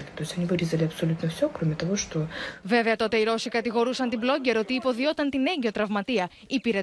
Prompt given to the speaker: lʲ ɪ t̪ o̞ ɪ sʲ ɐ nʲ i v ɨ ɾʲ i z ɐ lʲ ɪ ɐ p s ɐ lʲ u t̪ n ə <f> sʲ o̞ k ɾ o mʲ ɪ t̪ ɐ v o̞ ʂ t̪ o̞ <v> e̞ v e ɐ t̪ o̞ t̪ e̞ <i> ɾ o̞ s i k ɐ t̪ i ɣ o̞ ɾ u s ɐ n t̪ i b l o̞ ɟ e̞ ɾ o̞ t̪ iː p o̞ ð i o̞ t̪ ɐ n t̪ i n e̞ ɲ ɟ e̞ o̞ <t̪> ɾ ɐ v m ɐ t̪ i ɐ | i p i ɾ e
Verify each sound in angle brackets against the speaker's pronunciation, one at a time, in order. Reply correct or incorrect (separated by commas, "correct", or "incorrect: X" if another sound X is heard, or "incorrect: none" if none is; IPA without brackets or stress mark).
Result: correct, correct, correct, correct